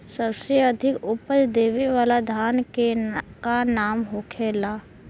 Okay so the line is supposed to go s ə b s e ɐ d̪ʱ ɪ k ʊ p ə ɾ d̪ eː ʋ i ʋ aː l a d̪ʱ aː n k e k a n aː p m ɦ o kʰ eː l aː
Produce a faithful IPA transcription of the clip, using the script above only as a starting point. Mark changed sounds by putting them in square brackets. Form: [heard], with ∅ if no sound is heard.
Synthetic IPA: s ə b s e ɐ d̪ʱ ɪ k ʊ p ə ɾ d̪ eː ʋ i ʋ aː l a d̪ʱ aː n k e k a n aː [∅] m ɦ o kʰ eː l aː

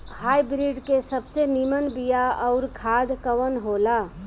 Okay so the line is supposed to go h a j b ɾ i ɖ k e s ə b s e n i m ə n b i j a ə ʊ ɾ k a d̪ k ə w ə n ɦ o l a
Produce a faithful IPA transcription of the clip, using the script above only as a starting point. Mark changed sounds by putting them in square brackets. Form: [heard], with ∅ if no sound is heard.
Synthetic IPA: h a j b ɾ i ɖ k e s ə b s e n i m ə n b i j a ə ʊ ɾ [kʰ] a d̪ k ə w ə n ɦ o l a

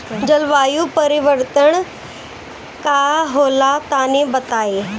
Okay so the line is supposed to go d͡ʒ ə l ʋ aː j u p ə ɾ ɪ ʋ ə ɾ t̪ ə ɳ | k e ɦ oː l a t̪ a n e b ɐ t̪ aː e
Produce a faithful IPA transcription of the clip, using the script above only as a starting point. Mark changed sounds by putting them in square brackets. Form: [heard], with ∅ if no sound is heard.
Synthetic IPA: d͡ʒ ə l ʋ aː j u p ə ɾ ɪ ʋ ə ɾ t̪ ə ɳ | k [a] ɦ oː l a t̪ a n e b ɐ t̪ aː e

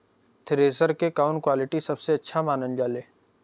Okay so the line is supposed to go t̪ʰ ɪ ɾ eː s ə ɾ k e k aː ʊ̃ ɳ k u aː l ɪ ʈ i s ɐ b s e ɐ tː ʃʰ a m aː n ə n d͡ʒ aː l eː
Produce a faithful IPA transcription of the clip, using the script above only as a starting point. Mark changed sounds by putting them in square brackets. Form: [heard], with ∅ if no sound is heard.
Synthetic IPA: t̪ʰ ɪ ɾ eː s ə ɾ k e k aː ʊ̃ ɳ k [w] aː l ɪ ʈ i s ɐ b s e ɐ tː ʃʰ a m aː n ə n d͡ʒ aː l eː

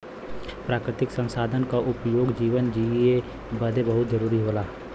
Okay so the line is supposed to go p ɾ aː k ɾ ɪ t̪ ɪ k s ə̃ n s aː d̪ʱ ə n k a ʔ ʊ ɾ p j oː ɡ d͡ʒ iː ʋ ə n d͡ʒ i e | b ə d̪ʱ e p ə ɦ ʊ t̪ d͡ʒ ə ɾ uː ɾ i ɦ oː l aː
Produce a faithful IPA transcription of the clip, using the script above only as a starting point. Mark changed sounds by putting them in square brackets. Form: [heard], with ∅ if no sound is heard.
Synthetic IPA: p ɾ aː k ɾ ɪ t̪ ɪ k s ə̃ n s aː d̪ʱ ə n k a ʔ ʊ [∅] p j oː ɡ d͡ʒ iː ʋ ə n d͡ʒ i e | b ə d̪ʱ e [b] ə ɦ ʊ t̪ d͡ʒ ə ɾ uː ɾ i ɦ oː l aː

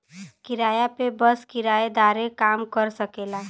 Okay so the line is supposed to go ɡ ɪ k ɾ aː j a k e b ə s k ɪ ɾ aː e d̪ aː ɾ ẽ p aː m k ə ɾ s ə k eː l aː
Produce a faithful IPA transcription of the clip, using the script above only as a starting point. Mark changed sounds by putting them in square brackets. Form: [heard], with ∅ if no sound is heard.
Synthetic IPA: [k] ɪ [∅] ɾ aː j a [p] e b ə s k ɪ ɾ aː e d̪ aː ɾ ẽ [k] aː m k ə ɾ s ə k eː l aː

